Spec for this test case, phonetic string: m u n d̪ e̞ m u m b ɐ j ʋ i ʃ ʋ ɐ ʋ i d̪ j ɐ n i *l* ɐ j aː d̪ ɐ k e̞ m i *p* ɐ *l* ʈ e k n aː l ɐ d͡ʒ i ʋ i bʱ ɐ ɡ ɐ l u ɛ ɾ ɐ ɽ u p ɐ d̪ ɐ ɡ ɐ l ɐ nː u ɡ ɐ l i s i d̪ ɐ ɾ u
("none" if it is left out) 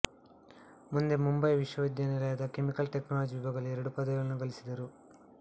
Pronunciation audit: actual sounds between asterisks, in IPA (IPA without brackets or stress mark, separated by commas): l, k, l